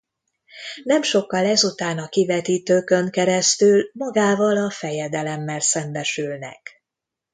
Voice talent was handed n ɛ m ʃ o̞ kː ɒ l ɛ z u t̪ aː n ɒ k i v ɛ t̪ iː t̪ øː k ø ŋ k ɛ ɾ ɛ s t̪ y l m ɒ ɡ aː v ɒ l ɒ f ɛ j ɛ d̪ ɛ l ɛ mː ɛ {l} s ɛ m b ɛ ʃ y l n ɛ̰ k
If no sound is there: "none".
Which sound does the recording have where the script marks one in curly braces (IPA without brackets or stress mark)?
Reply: l